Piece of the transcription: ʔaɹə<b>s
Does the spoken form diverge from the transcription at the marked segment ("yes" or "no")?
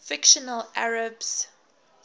no